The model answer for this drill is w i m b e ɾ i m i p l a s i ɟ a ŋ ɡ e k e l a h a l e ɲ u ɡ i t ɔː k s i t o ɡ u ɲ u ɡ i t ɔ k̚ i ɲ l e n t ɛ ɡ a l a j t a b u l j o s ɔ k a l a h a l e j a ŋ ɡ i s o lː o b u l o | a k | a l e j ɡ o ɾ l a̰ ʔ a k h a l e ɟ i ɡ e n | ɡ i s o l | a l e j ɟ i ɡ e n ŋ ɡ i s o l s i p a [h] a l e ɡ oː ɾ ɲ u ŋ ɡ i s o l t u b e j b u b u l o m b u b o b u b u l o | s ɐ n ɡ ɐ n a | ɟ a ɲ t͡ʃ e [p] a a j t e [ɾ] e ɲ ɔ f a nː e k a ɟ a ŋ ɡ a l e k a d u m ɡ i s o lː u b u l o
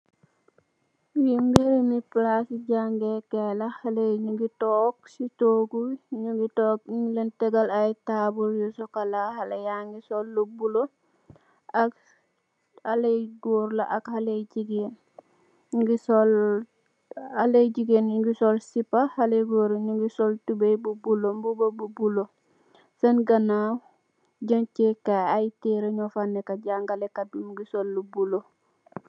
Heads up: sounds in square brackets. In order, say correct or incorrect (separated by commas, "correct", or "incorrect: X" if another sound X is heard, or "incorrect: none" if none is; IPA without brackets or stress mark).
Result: correct, incorrect: k, correct